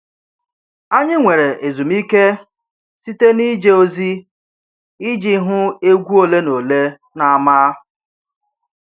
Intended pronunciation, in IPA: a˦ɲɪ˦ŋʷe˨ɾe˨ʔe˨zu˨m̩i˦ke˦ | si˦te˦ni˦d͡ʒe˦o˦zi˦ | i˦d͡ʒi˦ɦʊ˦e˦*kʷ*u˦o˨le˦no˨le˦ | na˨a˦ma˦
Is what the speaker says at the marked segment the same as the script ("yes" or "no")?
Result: no